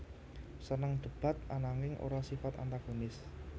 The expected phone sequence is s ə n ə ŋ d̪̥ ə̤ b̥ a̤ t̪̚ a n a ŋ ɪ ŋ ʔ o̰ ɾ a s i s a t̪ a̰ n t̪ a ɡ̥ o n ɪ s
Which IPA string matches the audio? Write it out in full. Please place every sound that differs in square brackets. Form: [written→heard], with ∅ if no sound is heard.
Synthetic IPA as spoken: s ə n ə ŋ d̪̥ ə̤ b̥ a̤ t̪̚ a n a ŋ ɪ ŋ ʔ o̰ ɾ a s i [s→f] a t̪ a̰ n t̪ a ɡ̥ o n ɪ s